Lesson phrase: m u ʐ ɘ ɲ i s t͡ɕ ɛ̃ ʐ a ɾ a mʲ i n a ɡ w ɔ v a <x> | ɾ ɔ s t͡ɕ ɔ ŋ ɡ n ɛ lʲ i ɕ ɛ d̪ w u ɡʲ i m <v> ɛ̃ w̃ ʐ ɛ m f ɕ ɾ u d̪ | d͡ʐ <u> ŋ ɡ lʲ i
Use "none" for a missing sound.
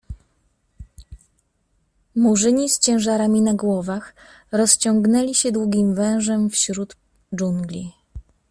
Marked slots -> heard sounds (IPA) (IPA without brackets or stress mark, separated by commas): x, v, u